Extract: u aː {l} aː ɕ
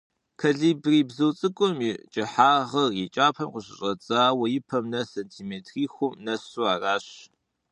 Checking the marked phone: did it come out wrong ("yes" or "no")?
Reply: yes